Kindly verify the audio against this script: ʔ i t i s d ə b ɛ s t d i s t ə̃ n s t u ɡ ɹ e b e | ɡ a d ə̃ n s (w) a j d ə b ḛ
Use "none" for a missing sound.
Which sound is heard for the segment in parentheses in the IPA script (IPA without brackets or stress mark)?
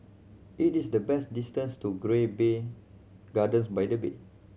b